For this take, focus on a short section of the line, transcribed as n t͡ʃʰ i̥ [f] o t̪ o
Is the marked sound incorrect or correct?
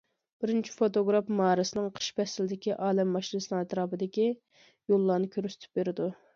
correct